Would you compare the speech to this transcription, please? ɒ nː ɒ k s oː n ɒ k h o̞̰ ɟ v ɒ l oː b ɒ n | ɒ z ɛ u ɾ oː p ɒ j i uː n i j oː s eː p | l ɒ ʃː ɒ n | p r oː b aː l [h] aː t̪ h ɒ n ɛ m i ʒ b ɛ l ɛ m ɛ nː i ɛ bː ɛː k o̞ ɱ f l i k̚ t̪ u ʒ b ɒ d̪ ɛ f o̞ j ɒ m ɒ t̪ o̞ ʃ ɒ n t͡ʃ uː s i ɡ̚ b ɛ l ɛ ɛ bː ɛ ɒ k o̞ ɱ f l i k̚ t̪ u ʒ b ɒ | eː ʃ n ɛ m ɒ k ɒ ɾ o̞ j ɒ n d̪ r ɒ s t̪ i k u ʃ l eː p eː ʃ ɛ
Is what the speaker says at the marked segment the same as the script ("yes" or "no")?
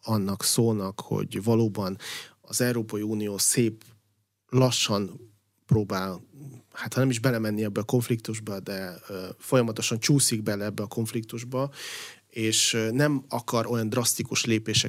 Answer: yes